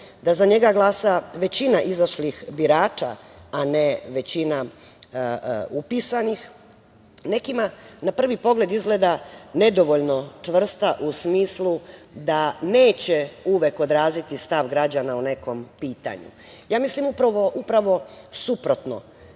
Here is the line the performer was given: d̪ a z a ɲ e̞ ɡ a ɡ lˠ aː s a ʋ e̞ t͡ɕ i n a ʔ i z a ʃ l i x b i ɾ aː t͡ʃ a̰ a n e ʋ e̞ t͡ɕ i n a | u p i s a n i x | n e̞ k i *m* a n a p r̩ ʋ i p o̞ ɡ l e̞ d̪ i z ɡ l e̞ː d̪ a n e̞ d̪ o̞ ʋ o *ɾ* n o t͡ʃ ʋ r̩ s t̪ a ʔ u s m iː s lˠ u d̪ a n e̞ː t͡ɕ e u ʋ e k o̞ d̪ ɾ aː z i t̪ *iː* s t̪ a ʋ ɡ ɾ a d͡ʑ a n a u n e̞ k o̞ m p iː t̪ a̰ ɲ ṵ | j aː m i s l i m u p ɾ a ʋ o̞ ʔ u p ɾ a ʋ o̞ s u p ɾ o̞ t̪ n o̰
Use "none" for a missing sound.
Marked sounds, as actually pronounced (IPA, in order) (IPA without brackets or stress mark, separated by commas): m, ʎ, i